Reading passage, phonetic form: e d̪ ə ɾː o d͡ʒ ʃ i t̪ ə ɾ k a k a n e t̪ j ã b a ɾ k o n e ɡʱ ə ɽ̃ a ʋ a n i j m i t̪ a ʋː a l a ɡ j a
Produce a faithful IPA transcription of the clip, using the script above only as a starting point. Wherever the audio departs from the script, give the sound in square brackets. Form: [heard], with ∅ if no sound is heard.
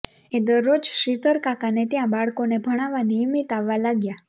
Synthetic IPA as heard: e d̪ ə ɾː o d͡ʒ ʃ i t̪ ə ɾ k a k a n e t̪ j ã b a [ɭ] k o n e [bʱ] ə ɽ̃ a ʋ a n i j m i t̪ a ʋː a l a ɡ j a